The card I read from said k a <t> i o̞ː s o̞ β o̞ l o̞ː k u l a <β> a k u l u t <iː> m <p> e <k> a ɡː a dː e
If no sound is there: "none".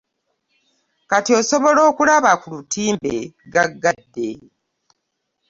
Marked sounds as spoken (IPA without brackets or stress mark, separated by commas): t, β, iː, b, ɡ